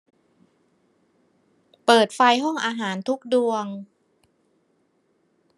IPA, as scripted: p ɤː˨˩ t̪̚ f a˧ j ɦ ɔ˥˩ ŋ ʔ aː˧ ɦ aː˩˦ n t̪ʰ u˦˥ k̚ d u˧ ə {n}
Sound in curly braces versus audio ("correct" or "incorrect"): incorrect